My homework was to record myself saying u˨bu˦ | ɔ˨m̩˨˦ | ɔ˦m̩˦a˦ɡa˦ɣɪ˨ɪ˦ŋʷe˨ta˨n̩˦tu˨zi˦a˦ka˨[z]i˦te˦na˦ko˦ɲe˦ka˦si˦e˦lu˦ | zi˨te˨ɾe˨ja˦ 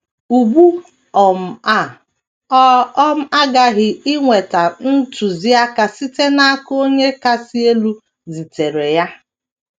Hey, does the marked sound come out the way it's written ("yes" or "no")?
no